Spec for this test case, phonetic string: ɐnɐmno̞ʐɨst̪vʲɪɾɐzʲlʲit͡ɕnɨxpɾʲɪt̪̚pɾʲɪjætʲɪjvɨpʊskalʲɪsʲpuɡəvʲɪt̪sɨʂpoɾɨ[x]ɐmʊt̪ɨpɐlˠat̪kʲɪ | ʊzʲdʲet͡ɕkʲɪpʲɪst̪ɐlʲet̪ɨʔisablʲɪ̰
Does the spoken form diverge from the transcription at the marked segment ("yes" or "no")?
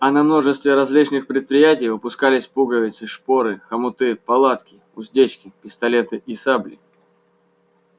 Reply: no